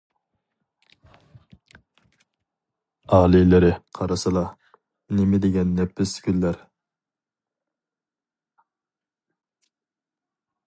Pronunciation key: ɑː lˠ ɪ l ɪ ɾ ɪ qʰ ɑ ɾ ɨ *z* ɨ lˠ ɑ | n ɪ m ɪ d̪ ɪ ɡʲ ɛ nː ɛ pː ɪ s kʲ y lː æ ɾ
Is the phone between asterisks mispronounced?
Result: yes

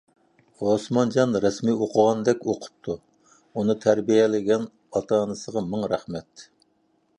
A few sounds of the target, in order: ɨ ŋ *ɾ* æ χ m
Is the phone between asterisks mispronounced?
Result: no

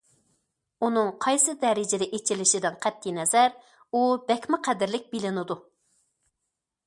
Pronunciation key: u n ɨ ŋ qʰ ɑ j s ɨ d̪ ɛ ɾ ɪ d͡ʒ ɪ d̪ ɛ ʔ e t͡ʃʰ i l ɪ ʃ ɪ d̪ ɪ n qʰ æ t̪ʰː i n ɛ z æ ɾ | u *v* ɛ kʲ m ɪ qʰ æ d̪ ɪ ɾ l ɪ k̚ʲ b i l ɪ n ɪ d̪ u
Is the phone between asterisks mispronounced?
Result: yes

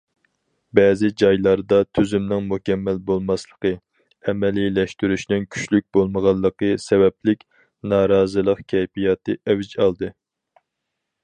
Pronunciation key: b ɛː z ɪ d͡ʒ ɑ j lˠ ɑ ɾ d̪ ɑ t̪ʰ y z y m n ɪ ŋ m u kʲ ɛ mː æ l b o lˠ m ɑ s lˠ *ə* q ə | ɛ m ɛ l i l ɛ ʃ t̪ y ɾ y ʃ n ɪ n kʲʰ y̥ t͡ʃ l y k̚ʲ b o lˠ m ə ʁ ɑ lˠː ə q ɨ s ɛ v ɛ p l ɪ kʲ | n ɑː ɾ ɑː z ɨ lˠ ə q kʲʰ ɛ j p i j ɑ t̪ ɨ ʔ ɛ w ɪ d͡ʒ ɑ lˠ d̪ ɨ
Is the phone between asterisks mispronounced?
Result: no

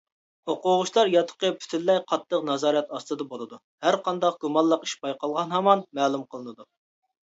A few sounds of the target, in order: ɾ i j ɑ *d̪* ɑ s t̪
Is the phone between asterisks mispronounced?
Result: yes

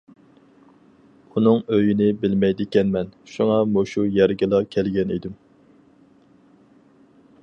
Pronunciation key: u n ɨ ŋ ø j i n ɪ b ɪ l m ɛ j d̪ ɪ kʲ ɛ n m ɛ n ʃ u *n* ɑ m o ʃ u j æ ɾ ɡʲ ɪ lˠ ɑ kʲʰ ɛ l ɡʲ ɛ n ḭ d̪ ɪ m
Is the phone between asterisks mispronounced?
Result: yes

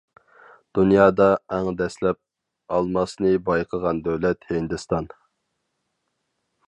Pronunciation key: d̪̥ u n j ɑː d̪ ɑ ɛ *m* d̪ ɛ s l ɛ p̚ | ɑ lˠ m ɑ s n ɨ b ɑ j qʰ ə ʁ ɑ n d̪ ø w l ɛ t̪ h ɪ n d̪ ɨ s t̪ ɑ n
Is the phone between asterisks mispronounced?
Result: yes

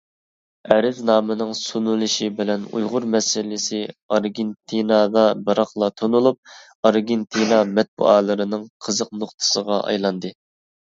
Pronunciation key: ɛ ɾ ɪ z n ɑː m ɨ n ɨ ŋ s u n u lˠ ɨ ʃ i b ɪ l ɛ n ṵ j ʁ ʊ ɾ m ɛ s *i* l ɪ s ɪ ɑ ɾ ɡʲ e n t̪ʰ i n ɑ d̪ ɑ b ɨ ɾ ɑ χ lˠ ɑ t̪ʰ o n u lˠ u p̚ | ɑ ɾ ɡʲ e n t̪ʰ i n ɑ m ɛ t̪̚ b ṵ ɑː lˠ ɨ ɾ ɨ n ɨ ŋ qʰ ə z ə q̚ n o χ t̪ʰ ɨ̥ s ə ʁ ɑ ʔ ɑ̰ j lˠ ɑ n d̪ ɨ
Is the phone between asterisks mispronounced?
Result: yes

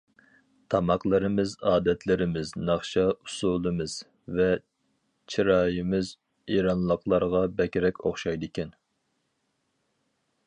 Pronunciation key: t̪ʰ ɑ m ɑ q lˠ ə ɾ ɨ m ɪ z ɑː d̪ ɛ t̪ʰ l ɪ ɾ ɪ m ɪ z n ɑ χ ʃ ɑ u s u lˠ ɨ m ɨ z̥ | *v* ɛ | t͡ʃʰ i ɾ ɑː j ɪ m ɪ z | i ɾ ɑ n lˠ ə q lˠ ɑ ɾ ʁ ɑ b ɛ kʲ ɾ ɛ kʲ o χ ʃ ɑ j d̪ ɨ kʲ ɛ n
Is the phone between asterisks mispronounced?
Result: no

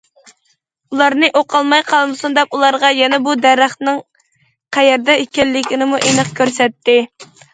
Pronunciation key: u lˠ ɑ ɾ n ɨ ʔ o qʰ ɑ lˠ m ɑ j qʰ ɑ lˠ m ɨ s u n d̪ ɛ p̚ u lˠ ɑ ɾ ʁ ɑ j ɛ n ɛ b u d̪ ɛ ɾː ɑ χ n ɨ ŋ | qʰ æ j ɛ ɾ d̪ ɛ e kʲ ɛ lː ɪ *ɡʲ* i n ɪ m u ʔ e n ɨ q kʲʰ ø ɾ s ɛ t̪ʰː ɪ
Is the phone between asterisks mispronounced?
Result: yes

